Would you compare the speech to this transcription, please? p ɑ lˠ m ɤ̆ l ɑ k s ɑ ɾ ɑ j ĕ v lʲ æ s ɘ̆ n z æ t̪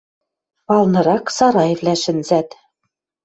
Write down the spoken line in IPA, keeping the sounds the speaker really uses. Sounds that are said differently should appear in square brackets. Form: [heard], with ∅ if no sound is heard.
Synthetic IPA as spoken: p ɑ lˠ [n] ɤ̆ [ɾ] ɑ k s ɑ ɾ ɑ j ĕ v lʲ æ [ʃ] ɘ̆ n z æ t̪